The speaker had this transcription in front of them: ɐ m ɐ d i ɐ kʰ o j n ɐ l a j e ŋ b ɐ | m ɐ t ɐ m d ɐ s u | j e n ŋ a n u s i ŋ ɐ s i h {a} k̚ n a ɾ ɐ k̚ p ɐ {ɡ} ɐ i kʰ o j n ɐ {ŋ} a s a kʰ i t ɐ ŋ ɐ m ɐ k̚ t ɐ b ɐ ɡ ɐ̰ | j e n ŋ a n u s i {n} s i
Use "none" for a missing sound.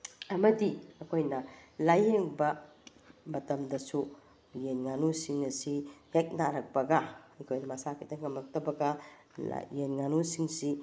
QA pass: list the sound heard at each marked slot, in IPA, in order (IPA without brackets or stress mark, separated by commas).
e, ɡ, m, ŋ